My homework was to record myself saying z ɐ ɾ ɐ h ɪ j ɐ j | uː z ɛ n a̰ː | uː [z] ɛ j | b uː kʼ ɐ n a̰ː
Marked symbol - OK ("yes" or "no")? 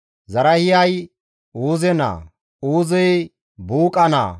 yes